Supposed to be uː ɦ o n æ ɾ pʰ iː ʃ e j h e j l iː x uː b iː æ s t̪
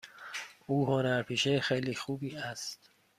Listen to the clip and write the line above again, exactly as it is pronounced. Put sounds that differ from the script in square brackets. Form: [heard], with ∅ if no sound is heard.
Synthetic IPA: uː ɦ o n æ ɾ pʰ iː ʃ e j [x] e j l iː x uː b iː æ s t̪